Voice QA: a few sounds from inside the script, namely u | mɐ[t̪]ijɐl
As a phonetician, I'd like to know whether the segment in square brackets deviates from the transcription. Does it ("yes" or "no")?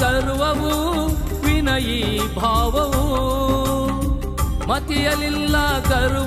no